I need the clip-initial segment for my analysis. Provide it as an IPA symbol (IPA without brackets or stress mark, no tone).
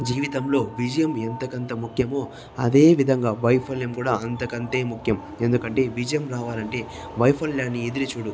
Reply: d͡ʒ